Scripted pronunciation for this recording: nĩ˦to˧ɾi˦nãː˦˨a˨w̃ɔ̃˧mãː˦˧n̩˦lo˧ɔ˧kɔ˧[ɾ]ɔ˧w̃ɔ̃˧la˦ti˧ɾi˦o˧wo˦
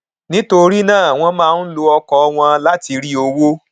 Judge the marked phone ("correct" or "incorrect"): incorrect